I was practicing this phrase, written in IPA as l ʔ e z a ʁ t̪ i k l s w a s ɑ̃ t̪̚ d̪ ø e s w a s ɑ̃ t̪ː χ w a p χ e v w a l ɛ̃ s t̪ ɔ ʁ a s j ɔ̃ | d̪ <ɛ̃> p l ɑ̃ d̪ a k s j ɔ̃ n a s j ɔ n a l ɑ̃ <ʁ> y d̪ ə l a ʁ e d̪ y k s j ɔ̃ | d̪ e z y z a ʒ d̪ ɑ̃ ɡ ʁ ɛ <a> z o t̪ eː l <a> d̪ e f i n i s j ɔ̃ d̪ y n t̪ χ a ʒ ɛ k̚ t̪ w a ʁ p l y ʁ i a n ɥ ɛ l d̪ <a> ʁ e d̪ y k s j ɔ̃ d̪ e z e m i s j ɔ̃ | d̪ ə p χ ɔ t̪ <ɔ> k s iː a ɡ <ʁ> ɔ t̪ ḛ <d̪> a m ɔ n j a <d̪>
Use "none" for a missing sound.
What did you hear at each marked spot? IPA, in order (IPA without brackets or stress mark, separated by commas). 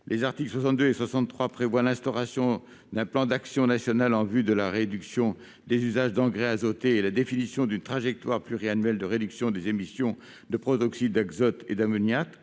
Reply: ɛ̃, v, a, a, ə, ɔ, z, d̪, t̪